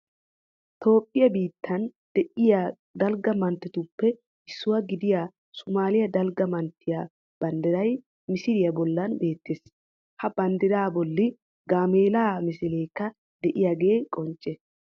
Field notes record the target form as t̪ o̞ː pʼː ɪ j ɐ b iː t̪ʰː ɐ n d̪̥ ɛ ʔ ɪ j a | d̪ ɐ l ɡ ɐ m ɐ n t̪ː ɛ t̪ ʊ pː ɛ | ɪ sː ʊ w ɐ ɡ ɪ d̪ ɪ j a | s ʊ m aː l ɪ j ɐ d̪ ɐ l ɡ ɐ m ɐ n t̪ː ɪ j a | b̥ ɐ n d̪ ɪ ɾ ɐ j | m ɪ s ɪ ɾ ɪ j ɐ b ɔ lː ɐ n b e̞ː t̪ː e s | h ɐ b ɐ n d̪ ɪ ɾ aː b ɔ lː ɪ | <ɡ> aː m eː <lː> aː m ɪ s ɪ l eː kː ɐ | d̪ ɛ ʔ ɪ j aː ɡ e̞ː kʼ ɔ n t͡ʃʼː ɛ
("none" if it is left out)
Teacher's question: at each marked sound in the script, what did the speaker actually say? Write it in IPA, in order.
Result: ɡ, l

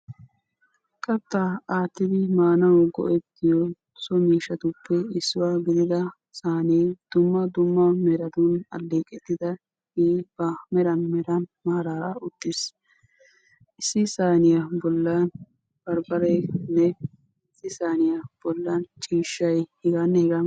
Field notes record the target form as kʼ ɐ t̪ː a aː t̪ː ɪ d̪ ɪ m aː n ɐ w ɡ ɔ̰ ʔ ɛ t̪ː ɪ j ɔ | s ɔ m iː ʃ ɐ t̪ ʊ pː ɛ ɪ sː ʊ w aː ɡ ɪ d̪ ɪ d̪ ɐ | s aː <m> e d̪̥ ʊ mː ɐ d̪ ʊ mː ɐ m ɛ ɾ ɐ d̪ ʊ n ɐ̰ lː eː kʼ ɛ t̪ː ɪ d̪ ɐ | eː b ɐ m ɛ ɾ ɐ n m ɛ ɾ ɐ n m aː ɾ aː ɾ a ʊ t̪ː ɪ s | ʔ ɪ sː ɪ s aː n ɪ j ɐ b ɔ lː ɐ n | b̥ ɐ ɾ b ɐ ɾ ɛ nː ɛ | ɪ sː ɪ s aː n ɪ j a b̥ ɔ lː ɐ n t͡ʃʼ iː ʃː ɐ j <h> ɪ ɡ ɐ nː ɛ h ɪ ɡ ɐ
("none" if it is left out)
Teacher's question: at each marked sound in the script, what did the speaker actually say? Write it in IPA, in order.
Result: n, h

